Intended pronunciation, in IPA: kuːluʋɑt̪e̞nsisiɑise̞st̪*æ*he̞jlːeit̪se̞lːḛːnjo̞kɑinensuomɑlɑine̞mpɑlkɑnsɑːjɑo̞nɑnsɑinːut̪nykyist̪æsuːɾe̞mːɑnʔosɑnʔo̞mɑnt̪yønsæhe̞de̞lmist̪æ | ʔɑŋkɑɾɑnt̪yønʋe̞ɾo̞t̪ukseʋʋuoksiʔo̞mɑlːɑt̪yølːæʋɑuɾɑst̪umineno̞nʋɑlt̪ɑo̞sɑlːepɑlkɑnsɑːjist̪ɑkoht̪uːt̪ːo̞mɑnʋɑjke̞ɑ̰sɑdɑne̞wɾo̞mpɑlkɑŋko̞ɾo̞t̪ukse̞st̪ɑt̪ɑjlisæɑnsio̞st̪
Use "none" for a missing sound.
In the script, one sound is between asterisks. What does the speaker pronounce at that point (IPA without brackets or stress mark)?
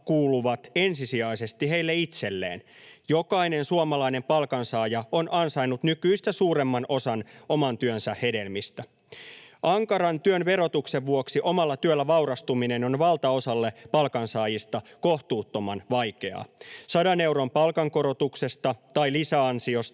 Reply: i